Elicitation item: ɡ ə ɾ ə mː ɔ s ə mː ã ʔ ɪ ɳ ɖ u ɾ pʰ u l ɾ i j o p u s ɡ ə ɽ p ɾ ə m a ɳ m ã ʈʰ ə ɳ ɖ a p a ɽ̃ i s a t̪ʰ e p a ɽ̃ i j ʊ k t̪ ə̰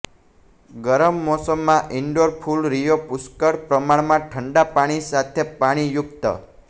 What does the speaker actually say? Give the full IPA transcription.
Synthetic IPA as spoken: ɡ ə ɾ ə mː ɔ s ə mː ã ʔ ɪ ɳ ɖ o ɾ pʰ u l ɾ i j o p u s k ə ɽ p ɾ ə m a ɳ m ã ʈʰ ə ɳ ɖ a p a ɽ̃ i s a t̪ʰ e p a ɽ̃ i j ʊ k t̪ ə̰